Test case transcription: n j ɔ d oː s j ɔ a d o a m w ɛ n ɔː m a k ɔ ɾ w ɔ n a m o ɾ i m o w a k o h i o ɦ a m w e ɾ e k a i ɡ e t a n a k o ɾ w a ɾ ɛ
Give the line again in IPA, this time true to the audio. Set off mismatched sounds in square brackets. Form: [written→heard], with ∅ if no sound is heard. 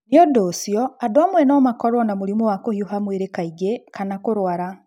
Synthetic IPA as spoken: n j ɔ d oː s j ɔ a d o a m w ɛ n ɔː m a k ɔ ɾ w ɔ n a m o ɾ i m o w a k o h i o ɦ a m w e ɾ e k a i ɡ e [t→k] a n a k o ɾ w a ɾ [ɛ→a]